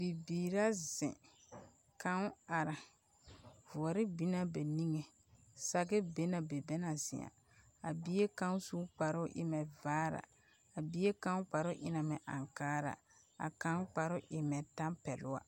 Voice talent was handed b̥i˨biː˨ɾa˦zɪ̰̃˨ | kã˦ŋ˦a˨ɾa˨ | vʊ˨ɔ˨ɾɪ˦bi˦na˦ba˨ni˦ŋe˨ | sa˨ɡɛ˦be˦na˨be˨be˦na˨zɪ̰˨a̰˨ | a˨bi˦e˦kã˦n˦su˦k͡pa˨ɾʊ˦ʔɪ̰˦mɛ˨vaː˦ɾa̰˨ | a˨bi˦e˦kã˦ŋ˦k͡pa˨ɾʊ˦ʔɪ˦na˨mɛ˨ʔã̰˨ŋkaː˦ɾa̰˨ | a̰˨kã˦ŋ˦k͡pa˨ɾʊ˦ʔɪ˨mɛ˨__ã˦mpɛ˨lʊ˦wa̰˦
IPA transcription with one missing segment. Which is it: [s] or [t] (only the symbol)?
t